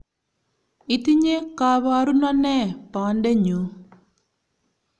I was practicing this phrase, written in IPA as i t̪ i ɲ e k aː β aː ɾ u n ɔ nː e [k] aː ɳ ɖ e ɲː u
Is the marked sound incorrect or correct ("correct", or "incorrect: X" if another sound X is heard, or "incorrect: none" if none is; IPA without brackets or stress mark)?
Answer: incorrect: p